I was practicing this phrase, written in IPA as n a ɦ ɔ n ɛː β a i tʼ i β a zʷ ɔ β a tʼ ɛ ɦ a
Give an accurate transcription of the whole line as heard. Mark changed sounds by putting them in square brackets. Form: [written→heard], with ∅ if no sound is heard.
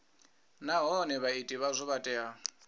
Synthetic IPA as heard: n a ɦ ɔ n [ɛː→ɛ] β a i tʼ i β a zʷ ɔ β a tʼ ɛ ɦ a